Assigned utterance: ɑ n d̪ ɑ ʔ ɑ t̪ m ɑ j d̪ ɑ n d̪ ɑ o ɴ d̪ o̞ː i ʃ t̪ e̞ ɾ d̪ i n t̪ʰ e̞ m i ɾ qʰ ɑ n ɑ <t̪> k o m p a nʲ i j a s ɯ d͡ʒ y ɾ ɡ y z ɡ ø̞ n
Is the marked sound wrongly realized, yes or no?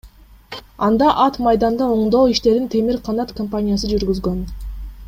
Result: no